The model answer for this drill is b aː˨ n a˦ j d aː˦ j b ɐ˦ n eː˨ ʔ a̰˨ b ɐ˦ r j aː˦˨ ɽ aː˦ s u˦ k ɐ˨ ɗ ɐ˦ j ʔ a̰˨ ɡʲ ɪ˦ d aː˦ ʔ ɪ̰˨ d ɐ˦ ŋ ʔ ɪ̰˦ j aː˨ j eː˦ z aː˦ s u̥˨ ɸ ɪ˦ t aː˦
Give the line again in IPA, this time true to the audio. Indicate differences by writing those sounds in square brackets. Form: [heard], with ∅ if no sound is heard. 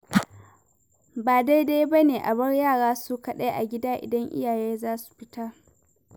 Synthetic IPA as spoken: b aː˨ [d] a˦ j d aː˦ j b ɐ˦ n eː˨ ʔ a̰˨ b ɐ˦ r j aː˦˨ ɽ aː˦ s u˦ k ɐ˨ ɗ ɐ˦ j ʔ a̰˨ ɡʲ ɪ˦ d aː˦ ʔ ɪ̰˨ d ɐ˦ ŋ ʔ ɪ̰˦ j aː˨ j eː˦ z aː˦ s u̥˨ ɸ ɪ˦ t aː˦